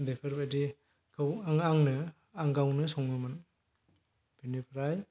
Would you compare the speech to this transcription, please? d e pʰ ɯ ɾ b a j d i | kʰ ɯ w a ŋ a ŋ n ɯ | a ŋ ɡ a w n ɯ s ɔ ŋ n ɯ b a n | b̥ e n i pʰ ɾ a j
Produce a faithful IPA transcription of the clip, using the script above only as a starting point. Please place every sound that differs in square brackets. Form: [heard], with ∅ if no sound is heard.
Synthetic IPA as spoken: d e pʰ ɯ ɾ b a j d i | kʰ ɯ w a ŋ a ŋ n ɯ | a ŋ ɡ a w n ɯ s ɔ ŋ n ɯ [m] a n | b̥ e n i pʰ ɾ a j